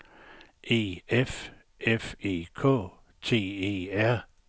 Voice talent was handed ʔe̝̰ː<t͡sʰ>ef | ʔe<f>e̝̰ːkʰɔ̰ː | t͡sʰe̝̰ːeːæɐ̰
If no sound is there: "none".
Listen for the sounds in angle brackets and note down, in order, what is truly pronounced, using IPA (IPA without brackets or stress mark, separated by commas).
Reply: none, f